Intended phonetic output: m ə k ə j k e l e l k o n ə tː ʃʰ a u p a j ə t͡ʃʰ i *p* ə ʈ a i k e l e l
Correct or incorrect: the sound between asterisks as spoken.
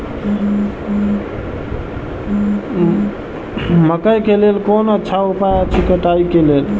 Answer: incorrect: k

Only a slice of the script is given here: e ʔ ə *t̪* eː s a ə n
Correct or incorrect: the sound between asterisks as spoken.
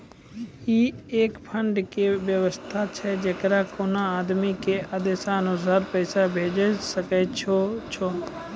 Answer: incorrect: d̪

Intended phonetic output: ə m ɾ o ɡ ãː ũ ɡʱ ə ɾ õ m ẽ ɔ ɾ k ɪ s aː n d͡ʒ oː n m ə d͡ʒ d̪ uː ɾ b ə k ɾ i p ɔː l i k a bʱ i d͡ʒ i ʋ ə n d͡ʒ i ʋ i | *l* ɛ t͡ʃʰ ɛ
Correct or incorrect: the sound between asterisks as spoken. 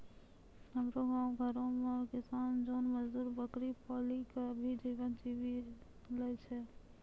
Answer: correct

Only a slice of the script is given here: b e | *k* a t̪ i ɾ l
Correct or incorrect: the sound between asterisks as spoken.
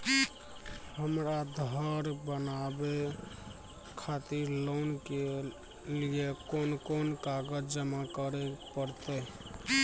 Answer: incorrect: kʰ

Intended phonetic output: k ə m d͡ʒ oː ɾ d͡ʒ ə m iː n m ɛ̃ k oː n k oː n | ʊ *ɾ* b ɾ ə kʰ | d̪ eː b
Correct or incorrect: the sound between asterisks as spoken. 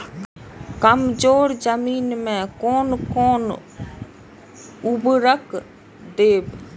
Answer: incorrect: none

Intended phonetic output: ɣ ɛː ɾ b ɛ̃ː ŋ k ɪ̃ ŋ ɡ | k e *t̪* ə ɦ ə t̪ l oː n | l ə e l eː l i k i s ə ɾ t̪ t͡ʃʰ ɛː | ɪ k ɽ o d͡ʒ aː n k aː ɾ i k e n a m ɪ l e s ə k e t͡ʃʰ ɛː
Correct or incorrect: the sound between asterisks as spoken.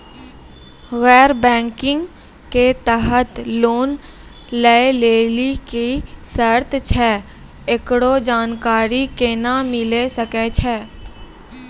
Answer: correct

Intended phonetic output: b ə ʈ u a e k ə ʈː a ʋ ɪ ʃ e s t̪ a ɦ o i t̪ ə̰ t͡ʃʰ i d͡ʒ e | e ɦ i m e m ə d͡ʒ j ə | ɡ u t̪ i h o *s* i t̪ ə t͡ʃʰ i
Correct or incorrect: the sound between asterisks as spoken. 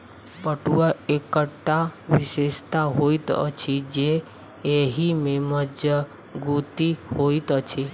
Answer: incorrect: none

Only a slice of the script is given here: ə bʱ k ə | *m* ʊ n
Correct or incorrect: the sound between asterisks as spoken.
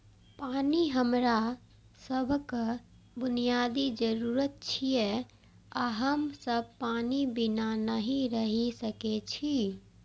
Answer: incorrect: b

